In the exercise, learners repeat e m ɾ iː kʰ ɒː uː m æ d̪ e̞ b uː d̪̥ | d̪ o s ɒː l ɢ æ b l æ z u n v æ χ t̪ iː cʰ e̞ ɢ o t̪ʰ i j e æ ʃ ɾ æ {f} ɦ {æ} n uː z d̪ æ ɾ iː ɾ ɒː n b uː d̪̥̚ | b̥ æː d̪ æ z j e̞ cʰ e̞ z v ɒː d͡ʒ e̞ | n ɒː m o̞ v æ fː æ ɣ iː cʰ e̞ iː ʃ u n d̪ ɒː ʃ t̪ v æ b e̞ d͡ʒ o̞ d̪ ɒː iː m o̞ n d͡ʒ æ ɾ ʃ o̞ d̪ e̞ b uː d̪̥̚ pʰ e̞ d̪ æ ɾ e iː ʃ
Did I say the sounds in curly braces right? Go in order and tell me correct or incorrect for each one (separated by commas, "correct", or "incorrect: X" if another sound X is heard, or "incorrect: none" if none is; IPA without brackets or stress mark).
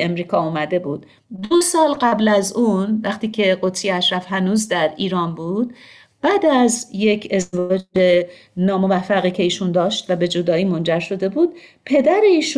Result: correct, correct